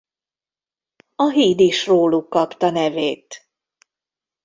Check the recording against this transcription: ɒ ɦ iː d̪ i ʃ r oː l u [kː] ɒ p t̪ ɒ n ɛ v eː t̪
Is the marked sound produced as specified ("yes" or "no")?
yes